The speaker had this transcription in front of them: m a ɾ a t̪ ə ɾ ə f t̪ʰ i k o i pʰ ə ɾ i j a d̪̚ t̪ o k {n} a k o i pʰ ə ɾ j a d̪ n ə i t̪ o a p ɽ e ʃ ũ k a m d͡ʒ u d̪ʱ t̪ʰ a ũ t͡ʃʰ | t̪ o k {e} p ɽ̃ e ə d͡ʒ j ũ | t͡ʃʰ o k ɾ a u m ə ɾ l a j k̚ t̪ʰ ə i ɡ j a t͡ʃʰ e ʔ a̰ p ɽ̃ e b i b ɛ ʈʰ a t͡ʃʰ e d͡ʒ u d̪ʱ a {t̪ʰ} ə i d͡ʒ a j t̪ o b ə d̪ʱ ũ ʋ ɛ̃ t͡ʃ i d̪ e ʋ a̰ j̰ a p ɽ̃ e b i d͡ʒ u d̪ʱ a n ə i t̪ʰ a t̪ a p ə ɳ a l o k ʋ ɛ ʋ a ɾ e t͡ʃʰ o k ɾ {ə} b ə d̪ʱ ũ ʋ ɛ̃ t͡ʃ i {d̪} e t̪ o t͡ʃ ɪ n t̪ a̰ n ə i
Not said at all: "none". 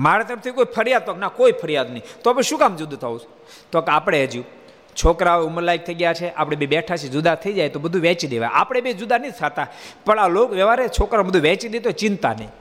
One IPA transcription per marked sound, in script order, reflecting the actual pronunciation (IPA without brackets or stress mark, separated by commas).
n, a, t̪ʰ, a, d̪